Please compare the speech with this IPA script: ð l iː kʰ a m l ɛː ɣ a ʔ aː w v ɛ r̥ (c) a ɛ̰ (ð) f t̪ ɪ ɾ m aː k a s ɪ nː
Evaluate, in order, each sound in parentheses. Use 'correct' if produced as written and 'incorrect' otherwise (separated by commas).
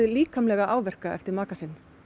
incorrect, incorrect